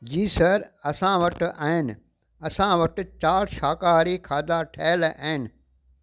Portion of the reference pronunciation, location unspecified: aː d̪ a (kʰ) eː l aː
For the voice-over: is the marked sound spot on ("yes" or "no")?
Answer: no